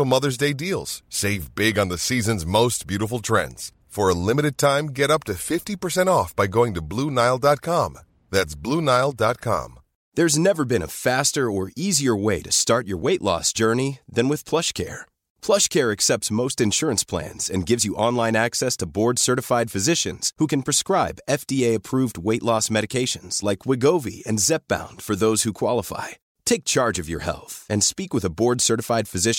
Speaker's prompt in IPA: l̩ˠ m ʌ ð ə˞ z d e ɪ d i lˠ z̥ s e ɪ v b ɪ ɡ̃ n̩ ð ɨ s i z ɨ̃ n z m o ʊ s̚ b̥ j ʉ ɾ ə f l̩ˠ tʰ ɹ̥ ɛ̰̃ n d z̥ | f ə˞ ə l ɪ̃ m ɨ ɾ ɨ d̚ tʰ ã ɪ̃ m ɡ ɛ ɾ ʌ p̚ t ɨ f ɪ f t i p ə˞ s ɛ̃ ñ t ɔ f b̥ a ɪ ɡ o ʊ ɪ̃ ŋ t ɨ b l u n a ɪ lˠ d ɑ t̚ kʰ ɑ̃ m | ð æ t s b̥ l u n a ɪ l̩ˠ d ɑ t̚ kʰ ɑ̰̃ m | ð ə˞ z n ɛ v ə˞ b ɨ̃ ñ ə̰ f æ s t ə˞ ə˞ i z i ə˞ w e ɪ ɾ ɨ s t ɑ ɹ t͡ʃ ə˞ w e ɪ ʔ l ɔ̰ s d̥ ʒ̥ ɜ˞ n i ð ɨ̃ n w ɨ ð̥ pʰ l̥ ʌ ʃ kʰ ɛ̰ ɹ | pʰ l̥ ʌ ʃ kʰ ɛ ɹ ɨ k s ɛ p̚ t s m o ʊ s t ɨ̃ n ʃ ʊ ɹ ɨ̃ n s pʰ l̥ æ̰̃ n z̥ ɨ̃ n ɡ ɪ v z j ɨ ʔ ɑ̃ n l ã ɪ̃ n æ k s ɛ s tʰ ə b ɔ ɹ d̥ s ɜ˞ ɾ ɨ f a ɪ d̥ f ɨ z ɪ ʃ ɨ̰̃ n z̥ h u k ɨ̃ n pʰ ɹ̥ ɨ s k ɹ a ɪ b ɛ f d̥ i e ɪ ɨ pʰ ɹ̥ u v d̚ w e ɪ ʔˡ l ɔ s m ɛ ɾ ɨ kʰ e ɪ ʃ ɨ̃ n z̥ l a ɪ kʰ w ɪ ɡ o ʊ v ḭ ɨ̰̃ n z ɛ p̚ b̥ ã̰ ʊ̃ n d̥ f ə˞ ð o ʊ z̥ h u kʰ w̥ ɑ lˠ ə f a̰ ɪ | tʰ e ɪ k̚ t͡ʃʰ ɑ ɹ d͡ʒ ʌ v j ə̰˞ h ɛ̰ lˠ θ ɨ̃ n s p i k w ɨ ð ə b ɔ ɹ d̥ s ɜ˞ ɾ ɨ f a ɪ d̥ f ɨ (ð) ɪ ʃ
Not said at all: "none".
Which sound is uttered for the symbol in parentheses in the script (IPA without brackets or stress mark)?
z